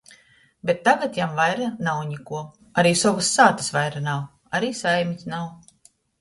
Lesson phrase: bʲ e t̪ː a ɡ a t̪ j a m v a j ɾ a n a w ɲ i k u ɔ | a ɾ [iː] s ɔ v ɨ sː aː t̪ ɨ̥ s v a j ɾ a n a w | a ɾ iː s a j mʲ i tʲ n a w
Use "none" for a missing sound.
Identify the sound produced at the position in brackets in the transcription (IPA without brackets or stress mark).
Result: iː